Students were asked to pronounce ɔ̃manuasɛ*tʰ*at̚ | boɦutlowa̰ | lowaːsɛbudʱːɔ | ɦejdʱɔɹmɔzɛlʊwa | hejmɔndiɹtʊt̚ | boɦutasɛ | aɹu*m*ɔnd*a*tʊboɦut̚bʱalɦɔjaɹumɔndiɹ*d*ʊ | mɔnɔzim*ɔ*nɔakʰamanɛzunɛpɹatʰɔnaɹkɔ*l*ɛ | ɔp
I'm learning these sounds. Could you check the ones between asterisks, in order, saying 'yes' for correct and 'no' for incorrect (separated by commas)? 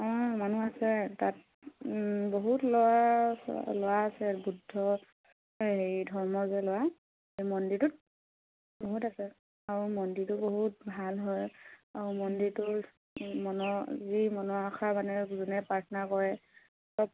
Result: no, yes, no, no, yes, no